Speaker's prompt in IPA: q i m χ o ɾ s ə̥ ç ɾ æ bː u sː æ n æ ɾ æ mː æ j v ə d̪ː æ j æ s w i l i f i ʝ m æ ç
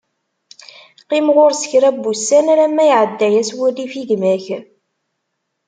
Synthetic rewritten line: q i m ʁ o ɾ s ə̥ ç ɾ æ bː u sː æ n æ ɾ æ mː æ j ʕ ə d̪ː æ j æ s w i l i f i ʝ m æ ç